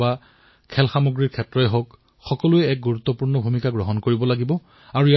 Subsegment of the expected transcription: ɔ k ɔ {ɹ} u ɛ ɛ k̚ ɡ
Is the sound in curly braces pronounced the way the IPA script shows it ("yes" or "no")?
no